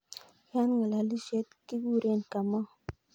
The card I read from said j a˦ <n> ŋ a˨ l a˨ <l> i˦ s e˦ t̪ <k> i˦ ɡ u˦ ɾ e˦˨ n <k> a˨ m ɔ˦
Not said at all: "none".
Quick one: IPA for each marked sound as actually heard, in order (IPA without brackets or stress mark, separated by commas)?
n, l, k, k